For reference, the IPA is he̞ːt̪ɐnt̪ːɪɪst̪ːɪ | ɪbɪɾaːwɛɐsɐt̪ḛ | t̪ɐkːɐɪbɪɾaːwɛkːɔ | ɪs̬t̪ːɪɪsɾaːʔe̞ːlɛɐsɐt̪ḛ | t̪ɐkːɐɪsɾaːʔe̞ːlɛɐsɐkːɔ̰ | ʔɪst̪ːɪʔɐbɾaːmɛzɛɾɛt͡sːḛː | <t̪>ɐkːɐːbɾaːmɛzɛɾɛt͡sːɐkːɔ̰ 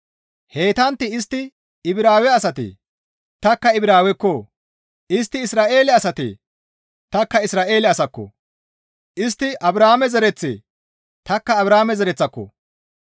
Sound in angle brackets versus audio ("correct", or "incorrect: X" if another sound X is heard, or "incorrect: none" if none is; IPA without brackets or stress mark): correct